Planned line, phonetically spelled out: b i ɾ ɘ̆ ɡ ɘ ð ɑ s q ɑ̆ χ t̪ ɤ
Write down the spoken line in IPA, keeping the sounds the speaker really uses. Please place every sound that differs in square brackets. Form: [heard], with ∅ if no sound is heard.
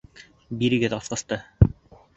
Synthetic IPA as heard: b i ɾ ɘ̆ ɡ ɘ ð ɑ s q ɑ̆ [s] t̪ ɤ